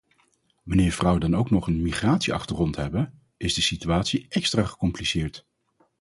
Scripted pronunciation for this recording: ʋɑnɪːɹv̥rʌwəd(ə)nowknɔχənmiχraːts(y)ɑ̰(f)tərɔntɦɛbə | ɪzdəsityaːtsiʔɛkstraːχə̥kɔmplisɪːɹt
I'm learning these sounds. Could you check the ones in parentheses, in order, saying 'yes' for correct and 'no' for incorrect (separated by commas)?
no, no, no